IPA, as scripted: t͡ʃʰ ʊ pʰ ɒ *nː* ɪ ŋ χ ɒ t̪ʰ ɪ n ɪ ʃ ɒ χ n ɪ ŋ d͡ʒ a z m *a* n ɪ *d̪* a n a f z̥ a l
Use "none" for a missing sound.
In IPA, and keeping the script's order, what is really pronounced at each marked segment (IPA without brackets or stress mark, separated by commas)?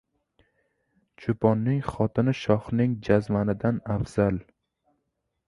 nː, a, d̪